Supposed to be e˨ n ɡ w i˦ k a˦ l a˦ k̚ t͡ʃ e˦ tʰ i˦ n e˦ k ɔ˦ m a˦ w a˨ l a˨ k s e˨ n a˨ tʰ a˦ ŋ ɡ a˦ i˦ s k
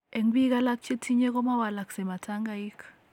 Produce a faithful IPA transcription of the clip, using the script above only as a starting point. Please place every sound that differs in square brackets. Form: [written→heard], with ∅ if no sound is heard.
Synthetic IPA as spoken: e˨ [n→ŋ] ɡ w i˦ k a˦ l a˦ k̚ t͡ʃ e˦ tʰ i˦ [n→ɲ] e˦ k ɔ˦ m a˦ w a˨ l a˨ k s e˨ [n→m] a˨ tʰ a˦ ŋ ɡ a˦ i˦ [s→∅] k